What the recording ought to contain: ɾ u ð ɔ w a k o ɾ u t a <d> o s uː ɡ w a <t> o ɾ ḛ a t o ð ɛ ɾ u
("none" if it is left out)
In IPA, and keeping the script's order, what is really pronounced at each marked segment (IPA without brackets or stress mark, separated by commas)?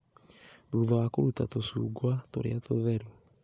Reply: t, t